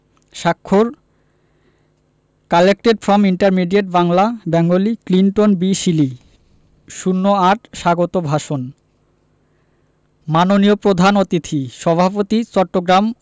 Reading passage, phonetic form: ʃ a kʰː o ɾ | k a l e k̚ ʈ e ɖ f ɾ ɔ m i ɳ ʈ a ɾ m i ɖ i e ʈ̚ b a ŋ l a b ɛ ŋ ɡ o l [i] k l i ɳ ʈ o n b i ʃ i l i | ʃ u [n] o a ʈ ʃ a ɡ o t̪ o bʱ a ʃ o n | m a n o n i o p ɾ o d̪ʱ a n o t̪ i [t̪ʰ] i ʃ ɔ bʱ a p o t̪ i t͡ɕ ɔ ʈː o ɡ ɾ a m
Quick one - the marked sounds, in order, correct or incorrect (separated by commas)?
correct, incorrect, correct